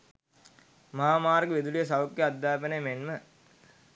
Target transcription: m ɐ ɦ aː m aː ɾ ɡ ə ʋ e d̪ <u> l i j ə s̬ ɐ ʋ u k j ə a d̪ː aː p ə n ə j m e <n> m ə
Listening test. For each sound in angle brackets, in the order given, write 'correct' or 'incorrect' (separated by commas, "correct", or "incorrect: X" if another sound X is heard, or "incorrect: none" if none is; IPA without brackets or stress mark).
correct, correct